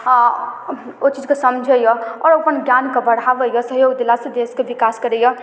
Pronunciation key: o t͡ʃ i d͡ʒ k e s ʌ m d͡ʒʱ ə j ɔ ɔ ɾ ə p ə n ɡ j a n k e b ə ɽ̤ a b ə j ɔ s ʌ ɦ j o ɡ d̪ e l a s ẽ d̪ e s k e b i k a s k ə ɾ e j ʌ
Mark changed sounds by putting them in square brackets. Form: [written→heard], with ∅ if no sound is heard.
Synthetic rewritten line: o t͡ʃ i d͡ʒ k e s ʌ m d͡ʒʱ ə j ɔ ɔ ɾ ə p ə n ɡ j a n k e b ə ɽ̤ a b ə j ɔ s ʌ ɦ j o ɡ d̪ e l a s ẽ d̪ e s k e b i k a s k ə ɾ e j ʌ